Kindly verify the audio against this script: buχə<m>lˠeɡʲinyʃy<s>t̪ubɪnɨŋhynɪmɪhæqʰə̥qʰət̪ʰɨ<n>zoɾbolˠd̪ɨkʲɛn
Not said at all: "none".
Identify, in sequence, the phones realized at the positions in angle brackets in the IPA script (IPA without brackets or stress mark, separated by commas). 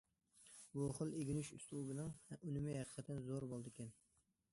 none, s, n